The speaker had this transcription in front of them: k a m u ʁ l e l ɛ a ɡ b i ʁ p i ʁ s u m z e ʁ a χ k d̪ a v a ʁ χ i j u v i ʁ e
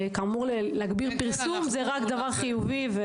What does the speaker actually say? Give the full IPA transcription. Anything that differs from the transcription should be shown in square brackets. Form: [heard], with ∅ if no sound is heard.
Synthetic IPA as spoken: k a m u ʁ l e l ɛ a ɡ b i ʁ p i ʁ s u m z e ʁ a [∅] k d̪ a v a ʁ χ i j u v i [v] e